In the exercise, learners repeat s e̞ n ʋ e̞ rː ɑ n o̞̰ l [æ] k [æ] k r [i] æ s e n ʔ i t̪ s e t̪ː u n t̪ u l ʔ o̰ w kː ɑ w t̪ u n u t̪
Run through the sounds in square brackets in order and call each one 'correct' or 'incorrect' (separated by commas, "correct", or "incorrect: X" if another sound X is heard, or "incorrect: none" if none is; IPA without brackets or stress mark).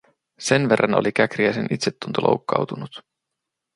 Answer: incorrect: i, correct, correct